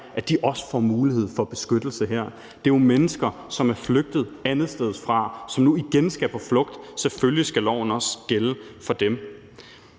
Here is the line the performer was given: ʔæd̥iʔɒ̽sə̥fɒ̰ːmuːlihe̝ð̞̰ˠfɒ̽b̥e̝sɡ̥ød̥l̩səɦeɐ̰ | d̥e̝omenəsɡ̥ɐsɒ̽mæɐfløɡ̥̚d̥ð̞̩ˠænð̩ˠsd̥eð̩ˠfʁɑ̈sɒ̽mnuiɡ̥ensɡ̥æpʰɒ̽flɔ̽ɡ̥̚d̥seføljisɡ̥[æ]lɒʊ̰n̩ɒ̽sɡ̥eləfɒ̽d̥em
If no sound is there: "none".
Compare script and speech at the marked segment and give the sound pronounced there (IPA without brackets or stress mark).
æ